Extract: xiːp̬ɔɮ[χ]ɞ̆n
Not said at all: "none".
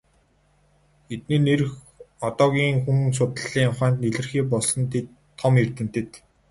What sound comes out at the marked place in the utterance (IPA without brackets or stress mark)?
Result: s